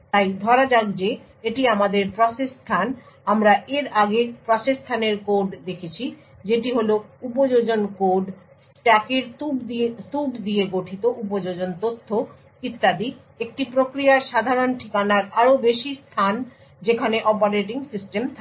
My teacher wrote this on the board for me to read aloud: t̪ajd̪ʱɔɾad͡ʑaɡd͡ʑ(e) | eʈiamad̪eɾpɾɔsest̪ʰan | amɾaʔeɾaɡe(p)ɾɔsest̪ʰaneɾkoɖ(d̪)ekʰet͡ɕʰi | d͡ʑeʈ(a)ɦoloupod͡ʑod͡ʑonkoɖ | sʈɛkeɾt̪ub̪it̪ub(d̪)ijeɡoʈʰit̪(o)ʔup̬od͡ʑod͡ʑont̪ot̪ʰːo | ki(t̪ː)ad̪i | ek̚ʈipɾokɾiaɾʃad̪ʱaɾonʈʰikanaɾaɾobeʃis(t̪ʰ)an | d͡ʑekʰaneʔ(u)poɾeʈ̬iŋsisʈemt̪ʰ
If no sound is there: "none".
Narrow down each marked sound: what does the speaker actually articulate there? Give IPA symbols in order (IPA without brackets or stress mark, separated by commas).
e, p, d̪, i, d̪, o, t̪ː, t̪ʰ, ɔ